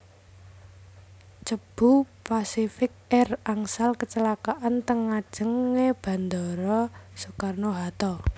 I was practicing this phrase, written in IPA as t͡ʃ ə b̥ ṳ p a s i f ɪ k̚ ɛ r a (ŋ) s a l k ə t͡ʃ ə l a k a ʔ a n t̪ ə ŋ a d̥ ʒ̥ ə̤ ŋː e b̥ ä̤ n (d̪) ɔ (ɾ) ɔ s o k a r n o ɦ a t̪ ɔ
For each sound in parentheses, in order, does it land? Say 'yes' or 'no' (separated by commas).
yes, yes, yes